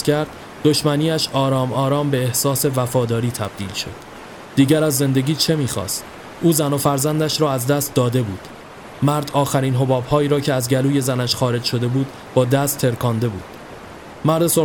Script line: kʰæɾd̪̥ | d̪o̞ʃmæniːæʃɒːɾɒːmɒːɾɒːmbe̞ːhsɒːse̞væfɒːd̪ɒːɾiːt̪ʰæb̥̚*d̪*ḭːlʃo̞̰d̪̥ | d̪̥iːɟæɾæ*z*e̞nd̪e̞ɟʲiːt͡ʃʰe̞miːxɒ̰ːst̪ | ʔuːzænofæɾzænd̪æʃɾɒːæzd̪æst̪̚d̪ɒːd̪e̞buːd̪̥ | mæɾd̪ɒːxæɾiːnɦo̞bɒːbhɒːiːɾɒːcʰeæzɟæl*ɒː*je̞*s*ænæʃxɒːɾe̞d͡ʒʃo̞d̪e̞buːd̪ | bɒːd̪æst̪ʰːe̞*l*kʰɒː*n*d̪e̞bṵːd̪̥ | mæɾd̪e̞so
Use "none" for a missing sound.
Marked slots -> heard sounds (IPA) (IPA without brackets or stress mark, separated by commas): d̪, zː, uː, z, ɾ, n